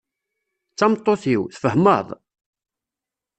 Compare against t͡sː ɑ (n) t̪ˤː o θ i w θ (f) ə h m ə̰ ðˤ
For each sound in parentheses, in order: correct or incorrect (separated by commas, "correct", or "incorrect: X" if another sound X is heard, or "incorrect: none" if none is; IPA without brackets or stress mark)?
incorrect: m, correct